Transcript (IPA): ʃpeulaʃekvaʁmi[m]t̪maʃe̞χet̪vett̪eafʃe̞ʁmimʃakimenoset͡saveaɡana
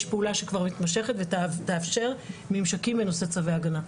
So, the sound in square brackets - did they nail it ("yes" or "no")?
no